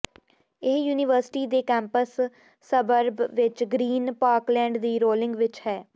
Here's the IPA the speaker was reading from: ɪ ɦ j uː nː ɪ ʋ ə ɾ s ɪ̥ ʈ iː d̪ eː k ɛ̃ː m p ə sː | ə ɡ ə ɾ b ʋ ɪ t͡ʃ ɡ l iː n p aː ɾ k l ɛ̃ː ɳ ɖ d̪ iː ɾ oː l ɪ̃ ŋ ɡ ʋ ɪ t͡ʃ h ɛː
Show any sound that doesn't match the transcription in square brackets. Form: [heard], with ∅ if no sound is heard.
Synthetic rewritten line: ɪ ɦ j uː [n] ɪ ʋ ə ɾ s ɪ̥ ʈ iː d̪ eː k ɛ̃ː m p ə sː | ə [b] ə ɾ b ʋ ɪ t͡ʃ ɡ [ɾ] iː n p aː ɾ k l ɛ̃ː ɳ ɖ d̪ iː ɾ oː l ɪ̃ ŋ ɡ ʋ ɪ t͡ʃ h ɛː